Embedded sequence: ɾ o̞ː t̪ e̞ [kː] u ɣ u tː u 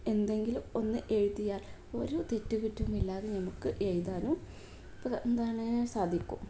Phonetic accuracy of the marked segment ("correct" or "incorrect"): incorrect